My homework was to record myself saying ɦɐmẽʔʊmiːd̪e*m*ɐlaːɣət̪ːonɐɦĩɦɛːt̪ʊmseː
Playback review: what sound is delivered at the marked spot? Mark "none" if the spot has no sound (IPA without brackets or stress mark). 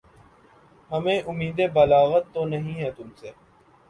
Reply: b